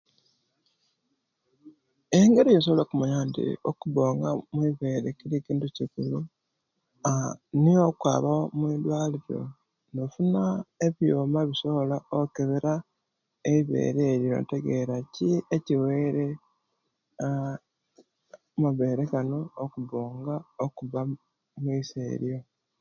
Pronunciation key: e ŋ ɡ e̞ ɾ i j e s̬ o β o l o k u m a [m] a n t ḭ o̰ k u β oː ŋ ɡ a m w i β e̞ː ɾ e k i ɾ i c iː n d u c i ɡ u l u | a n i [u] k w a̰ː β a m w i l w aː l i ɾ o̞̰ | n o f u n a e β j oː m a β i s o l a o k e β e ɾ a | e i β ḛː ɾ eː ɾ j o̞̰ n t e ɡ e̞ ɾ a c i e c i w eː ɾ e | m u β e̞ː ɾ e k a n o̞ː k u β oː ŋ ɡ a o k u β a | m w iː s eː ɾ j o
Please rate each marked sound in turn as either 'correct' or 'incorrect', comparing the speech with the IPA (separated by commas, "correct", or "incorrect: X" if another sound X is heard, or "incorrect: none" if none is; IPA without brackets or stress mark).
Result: incorrect: ɲ, incorrect: o